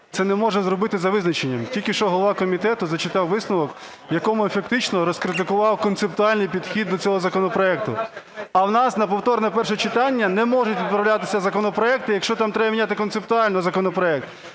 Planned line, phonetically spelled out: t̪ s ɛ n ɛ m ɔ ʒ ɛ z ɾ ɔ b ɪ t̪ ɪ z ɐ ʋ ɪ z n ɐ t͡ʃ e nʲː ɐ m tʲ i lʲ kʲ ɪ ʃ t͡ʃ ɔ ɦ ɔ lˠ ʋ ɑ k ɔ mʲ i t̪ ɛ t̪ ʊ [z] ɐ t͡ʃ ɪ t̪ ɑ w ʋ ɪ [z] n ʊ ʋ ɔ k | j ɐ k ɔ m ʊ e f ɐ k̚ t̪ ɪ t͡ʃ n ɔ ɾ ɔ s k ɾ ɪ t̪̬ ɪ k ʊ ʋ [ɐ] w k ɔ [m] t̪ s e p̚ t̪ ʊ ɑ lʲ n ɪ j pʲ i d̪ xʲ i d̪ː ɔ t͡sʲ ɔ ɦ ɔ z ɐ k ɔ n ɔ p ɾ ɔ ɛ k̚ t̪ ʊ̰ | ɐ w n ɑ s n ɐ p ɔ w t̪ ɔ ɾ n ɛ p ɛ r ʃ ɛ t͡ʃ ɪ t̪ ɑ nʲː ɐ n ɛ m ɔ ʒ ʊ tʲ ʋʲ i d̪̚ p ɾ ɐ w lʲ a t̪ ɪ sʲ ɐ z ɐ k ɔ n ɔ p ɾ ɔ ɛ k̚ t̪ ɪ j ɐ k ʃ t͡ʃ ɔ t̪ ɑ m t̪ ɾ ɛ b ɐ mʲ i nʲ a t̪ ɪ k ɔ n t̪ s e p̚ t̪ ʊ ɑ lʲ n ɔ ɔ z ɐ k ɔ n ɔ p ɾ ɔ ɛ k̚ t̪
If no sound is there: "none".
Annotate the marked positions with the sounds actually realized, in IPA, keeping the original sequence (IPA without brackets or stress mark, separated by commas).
z, s, ɑ, n